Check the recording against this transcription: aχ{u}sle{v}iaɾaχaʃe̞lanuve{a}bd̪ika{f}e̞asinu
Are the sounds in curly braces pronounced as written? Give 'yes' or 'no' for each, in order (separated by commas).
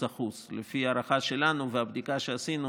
yes, no, yes, no